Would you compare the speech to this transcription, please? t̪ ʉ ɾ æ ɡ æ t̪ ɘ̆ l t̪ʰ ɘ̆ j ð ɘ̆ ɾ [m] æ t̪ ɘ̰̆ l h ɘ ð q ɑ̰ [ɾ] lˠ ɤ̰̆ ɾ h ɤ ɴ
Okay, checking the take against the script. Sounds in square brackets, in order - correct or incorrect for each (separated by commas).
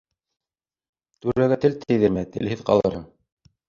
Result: correct, incorrect